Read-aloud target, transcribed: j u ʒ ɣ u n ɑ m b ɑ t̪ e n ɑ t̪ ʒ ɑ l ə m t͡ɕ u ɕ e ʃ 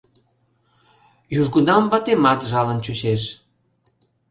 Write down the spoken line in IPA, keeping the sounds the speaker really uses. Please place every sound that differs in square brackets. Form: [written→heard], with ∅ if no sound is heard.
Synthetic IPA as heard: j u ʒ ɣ u n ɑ m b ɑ t̪ e [n→m] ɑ t̪ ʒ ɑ l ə [m→n] t͡ɕ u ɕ e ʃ